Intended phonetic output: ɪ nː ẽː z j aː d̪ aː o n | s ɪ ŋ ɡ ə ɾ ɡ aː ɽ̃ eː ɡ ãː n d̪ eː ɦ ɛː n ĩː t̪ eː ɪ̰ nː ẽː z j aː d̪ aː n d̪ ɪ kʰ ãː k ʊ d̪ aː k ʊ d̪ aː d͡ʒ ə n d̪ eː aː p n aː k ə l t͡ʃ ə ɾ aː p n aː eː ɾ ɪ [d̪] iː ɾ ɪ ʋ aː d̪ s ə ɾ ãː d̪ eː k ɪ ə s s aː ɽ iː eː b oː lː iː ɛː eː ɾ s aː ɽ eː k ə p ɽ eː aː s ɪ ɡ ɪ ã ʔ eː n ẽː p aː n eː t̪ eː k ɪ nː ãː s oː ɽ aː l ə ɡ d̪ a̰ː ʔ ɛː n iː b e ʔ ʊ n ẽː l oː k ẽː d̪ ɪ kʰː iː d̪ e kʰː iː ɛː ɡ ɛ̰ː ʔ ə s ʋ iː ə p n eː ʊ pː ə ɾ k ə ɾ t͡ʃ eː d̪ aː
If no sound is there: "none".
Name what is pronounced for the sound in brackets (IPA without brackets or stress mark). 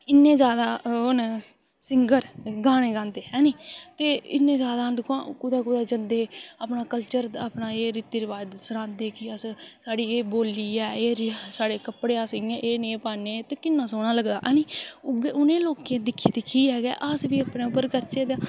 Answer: t̪